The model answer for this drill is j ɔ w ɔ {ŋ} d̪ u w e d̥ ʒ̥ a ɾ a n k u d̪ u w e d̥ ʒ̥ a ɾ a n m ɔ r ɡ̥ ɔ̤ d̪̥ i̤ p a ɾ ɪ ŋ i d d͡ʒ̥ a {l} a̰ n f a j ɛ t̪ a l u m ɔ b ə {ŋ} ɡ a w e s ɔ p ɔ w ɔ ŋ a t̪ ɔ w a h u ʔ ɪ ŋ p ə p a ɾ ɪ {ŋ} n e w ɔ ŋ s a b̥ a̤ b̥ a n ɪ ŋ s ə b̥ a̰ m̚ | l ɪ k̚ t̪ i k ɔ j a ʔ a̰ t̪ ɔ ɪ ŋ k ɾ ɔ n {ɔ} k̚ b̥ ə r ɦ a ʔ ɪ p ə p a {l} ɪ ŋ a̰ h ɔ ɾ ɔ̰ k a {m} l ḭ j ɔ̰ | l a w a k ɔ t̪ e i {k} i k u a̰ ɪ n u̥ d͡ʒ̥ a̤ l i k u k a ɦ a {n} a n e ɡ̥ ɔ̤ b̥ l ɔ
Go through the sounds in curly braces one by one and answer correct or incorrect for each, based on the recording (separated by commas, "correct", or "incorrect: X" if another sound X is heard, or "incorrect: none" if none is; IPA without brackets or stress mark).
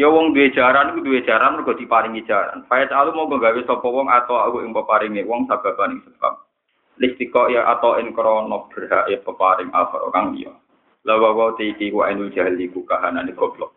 correct, incorrect: ɾ, correct, correct, correct, incorrect: ɾ, incorrect: ŋ, correct, correct